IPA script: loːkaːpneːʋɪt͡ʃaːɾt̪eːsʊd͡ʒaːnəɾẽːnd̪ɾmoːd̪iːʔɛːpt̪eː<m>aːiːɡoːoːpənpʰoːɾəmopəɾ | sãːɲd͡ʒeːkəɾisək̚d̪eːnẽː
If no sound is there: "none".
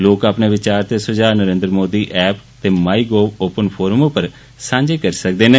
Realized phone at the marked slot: m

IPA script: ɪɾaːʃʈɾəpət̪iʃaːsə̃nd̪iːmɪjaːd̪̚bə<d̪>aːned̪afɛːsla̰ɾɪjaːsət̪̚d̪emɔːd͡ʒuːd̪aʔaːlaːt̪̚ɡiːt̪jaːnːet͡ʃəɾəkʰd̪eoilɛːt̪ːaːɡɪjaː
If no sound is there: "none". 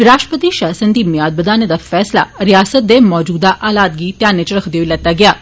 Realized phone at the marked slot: d̪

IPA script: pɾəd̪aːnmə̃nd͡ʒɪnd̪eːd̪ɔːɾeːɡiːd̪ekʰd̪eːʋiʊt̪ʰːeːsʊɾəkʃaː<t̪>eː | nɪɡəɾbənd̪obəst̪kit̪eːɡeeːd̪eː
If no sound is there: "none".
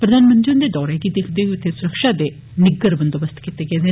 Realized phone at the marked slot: d̪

